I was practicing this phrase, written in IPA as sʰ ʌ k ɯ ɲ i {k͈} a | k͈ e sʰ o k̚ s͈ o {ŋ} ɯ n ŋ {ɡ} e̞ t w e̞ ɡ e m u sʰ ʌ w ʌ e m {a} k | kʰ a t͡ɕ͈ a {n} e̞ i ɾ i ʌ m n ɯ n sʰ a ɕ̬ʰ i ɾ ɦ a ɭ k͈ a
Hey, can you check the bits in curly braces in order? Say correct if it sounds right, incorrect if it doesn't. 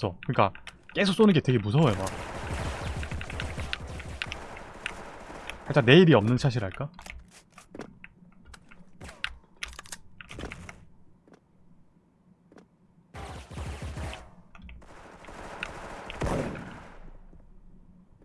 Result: correct, incorrect: n, correct, correct, correct

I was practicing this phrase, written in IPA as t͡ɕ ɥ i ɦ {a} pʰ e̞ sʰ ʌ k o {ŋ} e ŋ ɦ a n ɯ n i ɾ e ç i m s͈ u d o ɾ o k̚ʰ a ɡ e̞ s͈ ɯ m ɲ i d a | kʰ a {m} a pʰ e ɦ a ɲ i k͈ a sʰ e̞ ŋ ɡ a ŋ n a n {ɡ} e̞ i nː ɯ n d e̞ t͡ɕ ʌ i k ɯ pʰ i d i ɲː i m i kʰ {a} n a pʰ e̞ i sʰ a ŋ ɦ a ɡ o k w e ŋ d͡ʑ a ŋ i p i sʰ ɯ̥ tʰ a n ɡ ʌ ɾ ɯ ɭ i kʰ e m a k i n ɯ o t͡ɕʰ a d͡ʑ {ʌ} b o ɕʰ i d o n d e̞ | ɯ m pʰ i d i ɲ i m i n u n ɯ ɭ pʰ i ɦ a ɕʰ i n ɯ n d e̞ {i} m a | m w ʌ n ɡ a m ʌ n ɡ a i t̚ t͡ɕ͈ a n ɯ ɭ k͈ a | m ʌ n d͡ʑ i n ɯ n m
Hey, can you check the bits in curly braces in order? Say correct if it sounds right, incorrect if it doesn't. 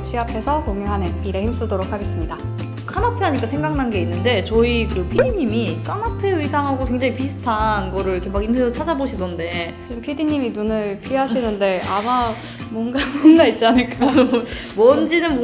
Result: correct, correct, incorrect: n, correct, correct, incorrect: a, incorrect: a

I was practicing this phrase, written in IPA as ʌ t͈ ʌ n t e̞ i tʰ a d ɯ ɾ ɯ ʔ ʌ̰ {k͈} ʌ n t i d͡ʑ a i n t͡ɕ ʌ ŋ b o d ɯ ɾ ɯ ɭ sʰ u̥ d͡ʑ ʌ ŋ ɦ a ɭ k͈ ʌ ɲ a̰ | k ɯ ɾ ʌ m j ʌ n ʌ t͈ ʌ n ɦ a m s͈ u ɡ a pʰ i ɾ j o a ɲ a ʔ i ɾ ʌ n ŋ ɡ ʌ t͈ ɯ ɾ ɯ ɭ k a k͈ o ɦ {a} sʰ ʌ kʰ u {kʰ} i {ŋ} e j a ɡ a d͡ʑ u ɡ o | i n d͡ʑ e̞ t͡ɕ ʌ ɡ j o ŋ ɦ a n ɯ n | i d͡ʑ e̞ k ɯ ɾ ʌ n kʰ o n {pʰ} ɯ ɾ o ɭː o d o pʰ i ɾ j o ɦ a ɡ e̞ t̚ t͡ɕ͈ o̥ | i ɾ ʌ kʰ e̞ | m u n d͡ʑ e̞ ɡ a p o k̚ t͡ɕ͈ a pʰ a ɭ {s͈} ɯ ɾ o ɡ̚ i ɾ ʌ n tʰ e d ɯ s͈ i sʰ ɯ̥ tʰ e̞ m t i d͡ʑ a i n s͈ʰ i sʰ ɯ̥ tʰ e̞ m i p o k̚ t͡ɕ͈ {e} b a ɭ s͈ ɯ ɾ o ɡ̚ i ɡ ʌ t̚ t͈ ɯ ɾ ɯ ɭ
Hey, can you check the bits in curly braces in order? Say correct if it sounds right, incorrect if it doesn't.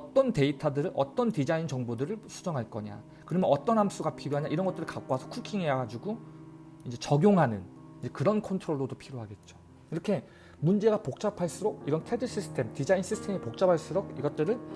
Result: incorrect: t͈, correct, correct, correct, incorrect: tʰ, correct, incorrect: a

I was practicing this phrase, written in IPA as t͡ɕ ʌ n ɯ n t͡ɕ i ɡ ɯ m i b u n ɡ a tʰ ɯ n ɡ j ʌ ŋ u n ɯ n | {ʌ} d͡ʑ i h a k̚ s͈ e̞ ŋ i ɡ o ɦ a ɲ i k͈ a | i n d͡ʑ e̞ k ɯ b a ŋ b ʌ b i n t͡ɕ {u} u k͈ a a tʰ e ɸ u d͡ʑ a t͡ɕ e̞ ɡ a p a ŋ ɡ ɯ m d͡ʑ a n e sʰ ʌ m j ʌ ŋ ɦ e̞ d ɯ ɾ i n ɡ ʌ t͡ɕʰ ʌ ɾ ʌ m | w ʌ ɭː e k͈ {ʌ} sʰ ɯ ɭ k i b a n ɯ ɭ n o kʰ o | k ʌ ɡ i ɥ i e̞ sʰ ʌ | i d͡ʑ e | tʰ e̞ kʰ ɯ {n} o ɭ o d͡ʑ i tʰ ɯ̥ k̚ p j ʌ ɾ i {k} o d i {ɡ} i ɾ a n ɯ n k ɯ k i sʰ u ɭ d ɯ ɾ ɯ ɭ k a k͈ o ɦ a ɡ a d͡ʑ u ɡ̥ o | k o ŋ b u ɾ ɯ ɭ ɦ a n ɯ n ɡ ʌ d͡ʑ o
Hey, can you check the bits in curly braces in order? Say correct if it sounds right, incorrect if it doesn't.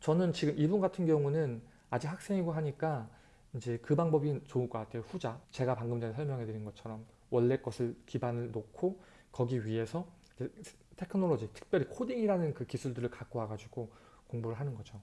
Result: incorrect: a, incorrect: o, correct, correct, incorrect: kʰ, incorrect: ŋ

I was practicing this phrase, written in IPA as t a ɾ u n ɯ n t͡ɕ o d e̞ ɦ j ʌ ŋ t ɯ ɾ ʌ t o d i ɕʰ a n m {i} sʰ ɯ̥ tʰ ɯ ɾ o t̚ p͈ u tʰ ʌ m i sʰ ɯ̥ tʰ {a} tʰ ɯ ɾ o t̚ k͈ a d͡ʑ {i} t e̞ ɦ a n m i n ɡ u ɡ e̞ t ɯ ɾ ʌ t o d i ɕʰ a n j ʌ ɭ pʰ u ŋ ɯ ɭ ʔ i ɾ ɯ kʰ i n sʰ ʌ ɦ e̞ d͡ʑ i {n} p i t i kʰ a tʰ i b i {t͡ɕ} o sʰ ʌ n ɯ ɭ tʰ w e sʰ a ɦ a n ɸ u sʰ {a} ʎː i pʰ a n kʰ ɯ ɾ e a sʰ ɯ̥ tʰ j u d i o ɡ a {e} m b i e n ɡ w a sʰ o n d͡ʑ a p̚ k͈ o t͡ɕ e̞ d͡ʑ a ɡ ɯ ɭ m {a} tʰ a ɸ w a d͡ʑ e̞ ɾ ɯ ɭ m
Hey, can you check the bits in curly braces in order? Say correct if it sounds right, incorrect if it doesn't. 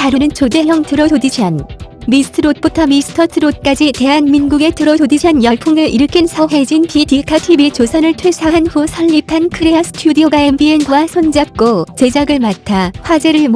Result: correct, incorrect: ʌ, correct, correct, correct, incorrect: ʌ, correct, correct

